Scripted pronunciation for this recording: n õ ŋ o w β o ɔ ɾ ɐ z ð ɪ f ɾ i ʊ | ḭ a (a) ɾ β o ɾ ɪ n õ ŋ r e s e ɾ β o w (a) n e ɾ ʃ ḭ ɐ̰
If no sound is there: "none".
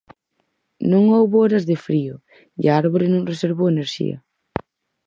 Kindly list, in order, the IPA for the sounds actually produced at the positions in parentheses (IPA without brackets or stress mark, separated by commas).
a, e